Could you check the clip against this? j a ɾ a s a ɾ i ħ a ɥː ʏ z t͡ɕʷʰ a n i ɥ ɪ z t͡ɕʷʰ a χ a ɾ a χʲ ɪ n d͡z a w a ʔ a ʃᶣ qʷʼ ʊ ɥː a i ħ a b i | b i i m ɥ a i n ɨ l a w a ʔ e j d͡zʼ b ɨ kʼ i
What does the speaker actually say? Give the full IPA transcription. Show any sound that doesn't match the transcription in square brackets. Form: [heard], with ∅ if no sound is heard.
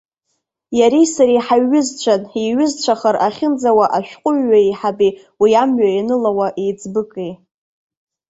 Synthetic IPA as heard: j a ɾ [i] s a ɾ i ħ a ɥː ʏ z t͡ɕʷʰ a n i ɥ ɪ z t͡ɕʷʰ a χ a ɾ a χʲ ɪ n d͡z a w a ʔ a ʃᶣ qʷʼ ʊ ɥː a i ħ a b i | [w] i [a] m ɥ a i n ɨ l a w a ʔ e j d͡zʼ b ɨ kʼ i